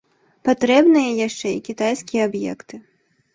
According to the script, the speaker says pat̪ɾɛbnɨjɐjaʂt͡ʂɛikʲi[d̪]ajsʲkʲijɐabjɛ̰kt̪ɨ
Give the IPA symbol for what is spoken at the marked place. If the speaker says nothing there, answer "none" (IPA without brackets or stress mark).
t̪